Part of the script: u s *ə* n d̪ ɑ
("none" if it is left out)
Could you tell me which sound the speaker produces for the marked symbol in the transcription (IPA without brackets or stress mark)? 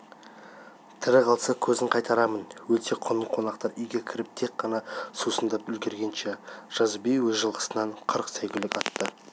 ə